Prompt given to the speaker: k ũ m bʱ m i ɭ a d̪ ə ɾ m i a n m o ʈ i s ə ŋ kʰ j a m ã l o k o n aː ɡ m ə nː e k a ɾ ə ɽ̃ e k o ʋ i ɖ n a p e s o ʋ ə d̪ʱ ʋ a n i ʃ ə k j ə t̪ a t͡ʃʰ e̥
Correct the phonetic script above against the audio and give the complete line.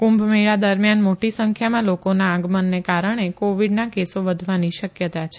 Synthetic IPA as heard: k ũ m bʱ m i ɭ a d̪ ə ɾ m j a n m o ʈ i s ə ŋ kʰ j a m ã l o k o n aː ɡ m ə nː e k a ɾ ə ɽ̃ e k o ʋ i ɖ n a k e s o ʋ ə d̪ʱ ʋ a n i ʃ ə k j ə t̪ a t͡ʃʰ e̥

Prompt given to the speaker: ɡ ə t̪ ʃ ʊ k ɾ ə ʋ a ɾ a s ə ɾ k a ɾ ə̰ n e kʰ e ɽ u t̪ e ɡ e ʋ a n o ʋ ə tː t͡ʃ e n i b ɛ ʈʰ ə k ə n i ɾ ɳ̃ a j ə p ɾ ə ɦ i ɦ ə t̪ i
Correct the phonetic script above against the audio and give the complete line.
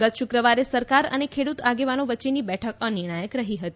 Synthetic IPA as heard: ɡ ə t̪ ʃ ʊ k ɾ ə ʋ a ɾ e s ə ɾ k a ɾ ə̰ n e kʰ e ɽ u t̪ a ɡ e ʋ a n o ʋ ə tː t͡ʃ e n i b ɛ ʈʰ ə k ə n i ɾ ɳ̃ a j ə k ɾ ə ɦ i ɦ ə t̪ i

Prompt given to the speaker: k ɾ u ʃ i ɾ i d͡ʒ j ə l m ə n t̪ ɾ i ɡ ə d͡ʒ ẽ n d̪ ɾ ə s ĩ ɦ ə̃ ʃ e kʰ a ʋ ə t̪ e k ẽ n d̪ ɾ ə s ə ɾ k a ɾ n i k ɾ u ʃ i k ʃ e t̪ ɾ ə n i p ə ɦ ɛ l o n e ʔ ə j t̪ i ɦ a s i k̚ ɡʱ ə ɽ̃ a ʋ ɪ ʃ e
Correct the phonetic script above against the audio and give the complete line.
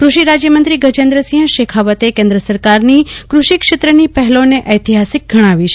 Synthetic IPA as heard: k ɾ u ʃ i ɾ a d͡ʒ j ə m ə n t̪ ɾ i ɡ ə d͡ʒ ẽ n d̪ ɾ ə s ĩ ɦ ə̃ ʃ e kʰ a ʋ ə t̪ e k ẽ n d̪ ɾ ə s ə ɾ k a ɾ n i k ɾ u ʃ i k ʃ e t̪ ɾ ə n i p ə ɦ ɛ l o n e ʔ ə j t̪ i ɦ a s i k̚ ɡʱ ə ɽ̃ a ʋ i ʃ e

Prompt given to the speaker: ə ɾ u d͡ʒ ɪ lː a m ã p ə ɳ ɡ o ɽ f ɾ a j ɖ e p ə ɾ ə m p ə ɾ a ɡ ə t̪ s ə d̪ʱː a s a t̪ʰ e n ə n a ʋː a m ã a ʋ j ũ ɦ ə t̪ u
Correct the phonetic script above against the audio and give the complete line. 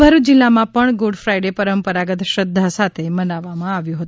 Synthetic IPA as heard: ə ɾ u d͡ʒ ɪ lː a m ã p ə ɳ ɡ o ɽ f ɾ a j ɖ e p ə ɾ ə m p ə ɾ a ɡ ə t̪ ʃ ə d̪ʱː a s a t̪ʰ e m ə n a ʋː a m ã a ʋ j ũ ɦ ə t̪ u

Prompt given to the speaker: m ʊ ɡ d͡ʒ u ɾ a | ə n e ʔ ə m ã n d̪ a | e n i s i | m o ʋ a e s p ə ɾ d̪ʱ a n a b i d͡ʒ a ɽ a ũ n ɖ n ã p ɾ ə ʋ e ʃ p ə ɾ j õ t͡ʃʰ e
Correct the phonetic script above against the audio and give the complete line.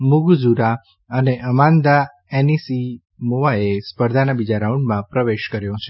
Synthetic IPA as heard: m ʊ ɡ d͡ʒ u ɾ a | ə n e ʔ ə m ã n d̪ a | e n i s i | m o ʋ a e s p ə ɾ d̪ʱ a n a b i d͡ʒ a ɾ a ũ ɳ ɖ m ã p ɾ ə ʋ e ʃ k ə ɾ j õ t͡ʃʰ e

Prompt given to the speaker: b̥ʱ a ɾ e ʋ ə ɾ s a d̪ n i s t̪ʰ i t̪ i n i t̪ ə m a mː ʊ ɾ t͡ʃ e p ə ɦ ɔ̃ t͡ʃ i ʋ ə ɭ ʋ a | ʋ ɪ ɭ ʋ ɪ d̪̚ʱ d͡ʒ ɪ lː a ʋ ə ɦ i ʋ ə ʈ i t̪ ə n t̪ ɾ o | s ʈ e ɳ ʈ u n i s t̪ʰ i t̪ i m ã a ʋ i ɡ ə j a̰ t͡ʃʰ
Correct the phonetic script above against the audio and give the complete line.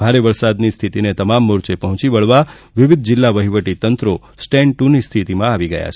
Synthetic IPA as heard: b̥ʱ a ɾ e ʋ ə ɾ s a d̪ n i s t̪ʰ i t̪ i n e t̪ ə m a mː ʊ ɾ t͡ʃ e p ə ɦ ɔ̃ t͡ʃ i ʋ ə ɭ ʋ a | ʋ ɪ ʋ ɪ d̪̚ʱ d͡ʒ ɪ lː a ʋ ə ɦ i ʋ ə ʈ i t̪ ə n t̪ ɾ o | s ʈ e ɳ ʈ u n i s t̪ʰ i t̪ i m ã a ʋ i ɡ ə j a̰ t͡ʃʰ

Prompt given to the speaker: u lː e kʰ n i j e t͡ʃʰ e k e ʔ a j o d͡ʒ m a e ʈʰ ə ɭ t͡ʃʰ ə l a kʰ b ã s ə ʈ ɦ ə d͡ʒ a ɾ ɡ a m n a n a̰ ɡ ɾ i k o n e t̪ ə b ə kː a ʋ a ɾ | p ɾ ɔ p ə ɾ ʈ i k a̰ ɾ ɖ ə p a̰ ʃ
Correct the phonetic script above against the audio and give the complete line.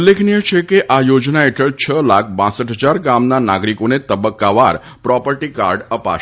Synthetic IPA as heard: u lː e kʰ n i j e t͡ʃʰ e k e ʔ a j o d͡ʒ n a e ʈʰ ə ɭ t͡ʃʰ ə l a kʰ b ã s ə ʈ ɦ ə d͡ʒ a ɾ ɡ a m n a n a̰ ɡ ɾ i k o n e t̪ ə b ə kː a ʋ a ɾ | p ɾ ɔ p ə ɾ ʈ i k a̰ ɾ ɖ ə p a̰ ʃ

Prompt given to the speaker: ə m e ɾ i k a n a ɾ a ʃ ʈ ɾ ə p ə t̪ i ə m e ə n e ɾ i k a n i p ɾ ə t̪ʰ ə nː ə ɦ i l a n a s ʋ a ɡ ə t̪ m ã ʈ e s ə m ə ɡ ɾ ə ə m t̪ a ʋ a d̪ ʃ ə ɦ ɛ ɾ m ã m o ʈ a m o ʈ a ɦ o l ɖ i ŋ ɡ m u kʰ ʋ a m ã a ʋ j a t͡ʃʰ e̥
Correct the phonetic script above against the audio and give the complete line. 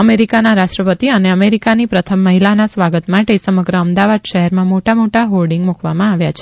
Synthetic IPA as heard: ə m e ɾ i k a n a ɾ a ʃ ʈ ɾ ə p ə t̪ i ə n e ə m e ɾ i k a n i p ɾ ə t̪ʰ ə mː ə ɦ i l a n a s ʋ a ɡ ə t̪ m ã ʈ e s ə m ə ɡ ɾ ə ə m d̪ a ʋ a d̪ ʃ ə ɦ ɛ ɾ m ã m o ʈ a m o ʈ a ɦ o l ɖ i ŋ ɡ m u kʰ ʋ a m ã a ʋ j a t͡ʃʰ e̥

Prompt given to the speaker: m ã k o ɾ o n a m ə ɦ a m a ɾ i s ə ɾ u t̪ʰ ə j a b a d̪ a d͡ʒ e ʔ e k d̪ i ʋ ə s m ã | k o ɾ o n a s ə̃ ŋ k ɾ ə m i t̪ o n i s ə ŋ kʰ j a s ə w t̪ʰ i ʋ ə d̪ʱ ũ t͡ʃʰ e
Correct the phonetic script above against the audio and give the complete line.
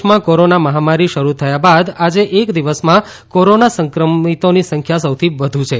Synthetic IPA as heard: m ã k o ɾ o n a m ə ɦ a m a ɾ i ʃ ə ɾ u t̪ʰ ə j a b a d̪ a d͡ʒ e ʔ e k d̪ i ʋ ə s m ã | k o ɾ o n a s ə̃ ŋ k ɾ ə m i t̪ o n i s ə ŋ kʰ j a s ə w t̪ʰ i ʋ ə d̪ʱ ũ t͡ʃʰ e

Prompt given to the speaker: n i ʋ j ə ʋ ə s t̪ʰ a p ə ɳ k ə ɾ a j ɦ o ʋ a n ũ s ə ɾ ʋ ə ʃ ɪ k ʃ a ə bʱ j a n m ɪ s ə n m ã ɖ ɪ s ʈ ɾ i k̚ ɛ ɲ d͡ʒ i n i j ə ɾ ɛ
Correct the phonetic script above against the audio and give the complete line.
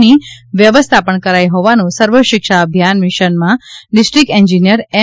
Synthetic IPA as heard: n i ʋ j ə ʋ ə s t̪ʰ a p ə ɳ k ə ɾ a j ɦ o ʋ a n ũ s ə ɾ ʋ ə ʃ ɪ k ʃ a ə bʱ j a n m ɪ ʃ ə n m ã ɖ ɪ s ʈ ɾ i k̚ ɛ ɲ d͡ʒ i n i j ə ɾ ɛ

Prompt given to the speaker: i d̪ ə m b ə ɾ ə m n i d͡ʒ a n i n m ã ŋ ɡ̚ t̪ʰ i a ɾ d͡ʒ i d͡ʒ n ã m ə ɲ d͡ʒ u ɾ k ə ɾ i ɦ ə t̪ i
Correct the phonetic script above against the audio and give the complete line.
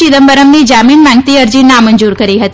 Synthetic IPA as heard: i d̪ ə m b ə ɾ ə m n i d͡ʒ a m i n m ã ŋ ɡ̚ t̪ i ə ɾ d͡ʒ i n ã m ə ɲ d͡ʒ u ɾ k ə ɾ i ɦ ə t̪ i

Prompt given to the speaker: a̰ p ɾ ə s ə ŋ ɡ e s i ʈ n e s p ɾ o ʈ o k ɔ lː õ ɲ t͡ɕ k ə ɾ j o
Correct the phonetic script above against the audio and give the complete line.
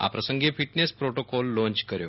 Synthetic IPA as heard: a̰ p ɾ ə s ə ŋ ɡ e f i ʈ n e s p ɾ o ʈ o k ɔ lː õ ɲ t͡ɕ k ə ɾ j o

